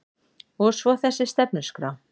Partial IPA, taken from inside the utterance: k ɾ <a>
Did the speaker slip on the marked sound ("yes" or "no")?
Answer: no